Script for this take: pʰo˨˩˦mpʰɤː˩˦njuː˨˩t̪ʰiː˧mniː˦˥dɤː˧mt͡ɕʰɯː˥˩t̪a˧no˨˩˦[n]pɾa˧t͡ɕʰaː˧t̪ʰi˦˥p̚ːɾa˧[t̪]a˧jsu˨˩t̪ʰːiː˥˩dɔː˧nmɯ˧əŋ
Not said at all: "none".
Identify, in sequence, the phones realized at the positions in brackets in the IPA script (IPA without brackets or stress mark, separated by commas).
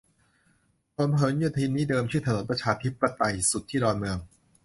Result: n, t̪